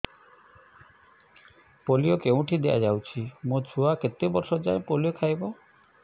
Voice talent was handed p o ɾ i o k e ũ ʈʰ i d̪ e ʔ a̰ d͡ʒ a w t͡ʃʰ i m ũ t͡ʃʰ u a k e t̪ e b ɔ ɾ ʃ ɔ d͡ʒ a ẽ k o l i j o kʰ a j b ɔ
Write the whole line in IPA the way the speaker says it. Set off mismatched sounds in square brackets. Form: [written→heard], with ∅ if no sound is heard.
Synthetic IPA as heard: p o [ɾ→l] i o k e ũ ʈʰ i d̪ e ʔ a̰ d͡ʒ a w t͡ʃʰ i m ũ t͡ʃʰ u a k e t̪ e b ɔ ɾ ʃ ɔ d͡ʒ a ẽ [k→p] o l i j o kʰ a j b ɔ